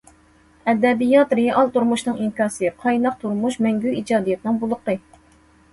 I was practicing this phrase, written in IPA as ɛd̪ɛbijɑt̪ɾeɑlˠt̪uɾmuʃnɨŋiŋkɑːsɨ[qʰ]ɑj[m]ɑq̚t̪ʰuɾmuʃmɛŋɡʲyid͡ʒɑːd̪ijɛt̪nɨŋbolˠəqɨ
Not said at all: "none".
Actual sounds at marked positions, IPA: qʰ, n

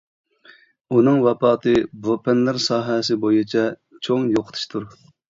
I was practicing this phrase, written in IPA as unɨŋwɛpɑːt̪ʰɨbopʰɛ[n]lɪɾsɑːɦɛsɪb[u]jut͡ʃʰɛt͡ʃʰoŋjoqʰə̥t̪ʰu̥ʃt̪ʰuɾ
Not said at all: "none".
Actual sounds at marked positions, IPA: n, o

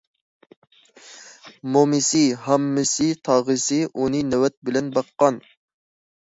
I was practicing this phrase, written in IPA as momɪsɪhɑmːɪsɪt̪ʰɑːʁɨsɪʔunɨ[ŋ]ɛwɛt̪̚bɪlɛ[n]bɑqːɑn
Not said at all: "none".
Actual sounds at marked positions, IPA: n, n

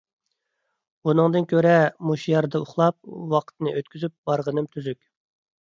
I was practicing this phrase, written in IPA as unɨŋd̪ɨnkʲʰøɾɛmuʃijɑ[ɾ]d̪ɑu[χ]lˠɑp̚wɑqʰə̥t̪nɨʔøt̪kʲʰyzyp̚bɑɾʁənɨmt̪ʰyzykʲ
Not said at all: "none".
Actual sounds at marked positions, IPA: ɾ, χ

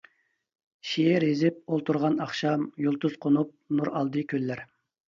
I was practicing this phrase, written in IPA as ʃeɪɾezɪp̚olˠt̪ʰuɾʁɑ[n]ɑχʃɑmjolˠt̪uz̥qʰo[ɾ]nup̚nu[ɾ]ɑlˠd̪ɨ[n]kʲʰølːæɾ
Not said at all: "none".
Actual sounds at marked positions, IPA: n, none, ɾ, none

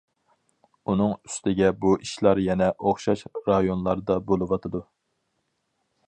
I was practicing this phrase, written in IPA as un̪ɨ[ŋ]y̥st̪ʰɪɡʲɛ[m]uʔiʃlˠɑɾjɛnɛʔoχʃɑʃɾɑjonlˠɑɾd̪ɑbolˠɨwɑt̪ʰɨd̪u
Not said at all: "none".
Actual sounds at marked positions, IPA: ŋ, b

